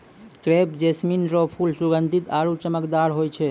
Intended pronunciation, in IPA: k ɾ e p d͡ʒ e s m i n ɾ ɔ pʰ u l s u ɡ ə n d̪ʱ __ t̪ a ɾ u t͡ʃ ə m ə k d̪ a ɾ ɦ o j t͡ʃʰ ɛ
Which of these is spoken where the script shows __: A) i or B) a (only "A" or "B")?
A